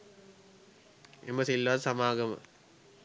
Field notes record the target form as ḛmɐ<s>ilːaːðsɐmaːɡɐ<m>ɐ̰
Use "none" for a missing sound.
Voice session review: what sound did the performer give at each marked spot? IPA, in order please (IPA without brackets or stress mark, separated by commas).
s, m